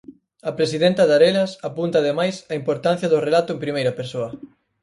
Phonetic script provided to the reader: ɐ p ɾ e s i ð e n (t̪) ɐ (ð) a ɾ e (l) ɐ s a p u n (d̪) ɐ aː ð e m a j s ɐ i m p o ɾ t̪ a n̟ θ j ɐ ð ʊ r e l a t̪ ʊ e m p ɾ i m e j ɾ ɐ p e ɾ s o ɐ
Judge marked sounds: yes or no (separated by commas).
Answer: yes, yes, yes, no